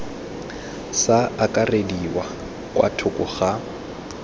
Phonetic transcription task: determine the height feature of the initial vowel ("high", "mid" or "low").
low